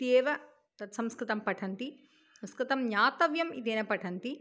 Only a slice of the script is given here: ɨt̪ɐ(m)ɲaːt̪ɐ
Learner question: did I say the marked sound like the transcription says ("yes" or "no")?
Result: yes